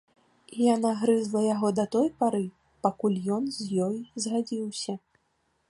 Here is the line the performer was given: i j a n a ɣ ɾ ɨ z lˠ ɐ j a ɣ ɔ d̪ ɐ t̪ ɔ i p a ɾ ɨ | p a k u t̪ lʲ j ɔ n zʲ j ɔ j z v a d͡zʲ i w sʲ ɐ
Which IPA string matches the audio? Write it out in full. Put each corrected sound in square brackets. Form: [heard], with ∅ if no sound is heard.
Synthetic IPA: i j a n a ɣ ɾ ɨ z lˠ ɐ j a ɣ ɔ d̪ ɐ t̪ ɔ [j] p a ɾ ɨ | p a k u [∅] lʲ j ɔ n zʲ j ɔ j z [ɣ] a d͡zʲ i w sʲ ɐ